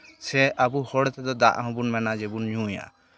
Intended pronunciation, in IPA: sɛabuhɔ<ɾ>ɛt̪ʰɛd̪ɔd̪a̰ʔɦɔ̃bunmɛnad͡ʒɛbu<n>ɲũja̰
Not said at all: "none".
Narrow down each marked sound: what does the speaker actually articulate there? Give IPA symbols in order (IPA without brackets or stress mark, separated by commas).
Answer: ɽ, n